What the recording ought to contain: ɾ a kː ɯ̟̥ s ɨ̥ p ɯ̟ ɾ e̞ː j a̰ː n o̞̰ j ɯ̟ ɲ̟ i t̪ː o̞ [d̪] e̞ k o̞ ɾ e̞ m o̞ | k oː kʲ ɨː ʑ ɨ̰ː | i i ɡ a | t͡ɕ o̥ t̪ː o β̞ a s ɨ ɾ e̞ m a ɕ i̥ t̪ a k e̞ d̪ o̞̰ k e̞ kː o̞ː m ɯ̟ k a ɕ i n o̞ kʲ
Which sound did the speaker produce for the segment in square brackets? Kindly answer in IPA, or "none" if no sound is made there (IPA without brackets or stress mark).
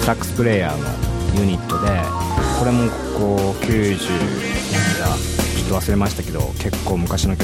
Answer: d̪